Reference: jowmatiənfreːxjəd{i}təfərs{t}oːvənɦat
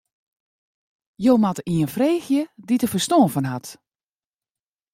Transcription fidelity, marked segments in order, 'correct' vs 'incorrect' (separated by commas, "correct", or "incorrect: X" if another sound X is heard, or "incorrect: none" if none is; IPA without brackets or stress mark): correct, correct